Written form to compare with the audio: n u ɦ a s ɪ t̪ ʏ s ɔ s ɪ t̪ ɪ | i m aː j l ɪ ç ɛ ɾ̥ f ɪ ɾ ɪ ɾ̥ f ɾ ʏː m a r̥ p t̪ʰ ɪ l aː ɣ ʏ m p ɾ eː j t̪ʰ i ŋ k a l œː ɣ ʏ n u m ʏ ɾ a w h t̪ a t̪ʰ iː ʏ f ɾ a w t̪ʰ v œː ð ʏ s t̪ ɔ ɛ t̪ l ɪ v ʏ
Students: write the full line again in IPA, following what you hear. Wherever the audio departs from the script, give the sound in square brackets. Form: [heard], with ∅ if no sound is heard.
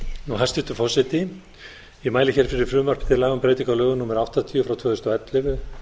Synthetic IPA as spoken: n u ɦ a s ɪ t̪ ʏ [f] ɔ s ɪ t̪ ɪ | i m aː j l ɪ ç ɛ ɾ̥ f ɪ ɾ ɪ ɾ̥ f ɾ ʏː m a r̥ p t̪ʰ ɪ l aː ɣ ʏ m p ɾ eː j [t̪] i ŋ k a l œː ɣ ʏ n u m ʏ ɾ a w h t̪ a t̪ʰ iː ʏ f ɾ a w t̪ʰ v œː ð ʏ s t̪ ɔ ɛ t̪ l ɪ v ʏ